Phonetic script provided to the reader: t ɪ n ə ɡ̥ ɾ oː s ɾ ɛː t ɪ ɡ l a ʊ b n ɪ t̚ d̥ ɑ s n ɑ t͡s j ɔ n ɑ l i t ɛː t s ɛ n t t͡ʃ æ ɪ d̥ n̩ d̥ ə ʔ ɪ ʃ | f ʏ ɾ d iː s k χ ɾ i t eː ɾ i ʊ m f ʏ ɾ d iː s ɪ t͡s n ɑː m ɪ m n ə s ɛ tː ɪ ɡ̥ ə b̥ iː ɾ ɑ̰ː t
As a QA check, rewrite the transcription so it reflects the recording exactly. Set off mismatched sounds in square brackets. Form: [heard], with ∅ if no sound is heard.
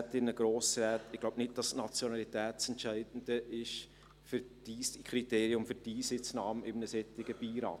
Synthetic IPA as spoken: t ɪ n ə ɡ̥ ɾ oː s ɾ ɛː t ɪ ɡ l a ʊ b n ɪ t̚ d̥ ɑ s n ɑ t͡s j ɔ n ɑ l i t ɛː t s ɛ n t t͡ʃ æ ɪ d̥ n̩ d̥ ə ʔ ɪ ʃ | f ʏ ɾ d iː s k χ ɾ i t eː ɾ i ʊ m f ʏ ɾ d iː s ɪ t͡s n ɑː m ɪ m n ə s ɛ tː ɪ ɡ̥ ə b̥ iː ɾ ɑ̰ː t